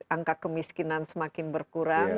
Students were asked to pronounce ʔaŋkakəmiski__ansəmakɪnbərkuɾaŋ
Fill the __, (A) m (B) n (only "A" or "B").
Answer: B